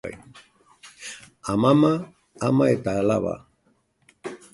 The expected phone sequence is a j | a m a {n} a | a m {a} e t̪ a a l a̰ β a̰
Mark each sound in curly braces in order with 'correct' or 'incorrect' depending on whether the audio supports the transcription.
incorrect, correct

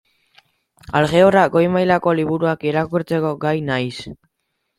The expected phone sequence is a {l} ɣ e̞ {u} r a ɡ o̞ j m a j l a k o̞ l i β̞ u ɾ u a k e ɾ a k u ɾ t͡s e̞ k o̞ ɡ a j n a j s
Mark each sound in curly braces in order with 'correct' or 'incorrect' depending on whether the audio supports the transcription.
correct, incorrect

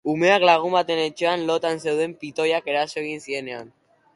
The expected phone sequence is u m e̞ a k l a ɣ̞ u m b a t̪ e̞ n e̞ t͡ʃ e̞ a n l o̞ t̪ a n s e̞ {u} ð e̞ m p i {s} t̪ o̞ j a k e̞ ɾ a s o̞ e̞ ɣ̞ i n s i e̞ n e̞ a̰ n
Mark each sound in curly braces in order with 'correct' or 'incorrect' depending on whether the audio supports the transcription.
incorrect, incorrect

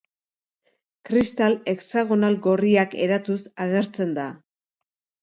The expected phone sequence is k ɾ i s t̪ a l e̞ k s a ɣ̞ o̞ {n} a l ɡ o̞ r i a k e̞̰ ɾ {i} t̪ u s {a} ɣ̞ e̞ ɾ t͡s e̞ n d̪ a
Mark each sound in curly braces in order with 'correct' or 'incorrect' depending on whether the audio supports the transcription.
correct, incorrect, correct

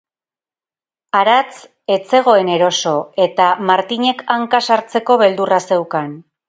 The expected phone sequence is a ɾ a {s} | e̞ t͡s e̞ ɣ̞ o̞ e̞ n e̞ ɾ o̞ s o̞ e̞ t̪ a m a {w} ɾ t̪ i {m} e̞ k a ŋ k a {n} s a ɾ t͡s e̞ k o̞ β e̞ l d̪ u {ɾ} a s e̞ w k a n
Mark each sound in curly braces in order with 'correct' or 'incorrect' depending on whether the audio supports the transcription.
incorrect, incorrect, incorrect, incorrect, incorrect

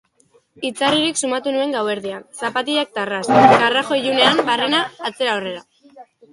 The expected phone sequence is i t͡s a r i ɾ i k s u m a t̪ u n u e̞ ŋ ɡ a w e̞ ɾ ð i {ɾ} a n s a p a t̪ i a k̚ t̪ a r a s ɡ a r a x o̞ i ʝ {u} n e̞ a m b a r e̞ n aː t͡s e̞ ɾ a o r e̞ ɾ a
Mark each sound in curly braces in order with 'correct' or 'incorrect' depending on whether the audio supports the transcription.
incorrect, correct

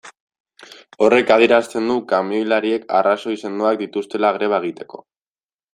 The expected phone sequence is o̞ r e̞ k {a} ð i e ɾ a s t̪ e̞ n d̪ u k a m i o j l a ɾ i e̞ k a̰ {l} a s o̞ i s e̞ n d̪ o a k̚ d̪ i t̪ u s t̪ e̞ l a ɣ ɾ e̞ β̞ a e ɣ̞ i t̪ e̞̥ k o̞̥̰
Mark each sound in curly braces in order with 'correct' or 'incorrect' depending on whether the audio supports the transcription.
correct, incorrect

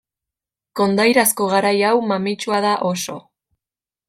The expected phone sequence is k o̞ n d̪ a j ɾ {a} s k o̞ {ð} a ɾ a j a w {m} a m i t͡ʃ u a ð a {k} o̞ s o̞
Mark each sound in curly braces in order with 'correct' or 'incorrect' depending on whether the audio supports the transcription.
correct, incorrect, correct, incorrect

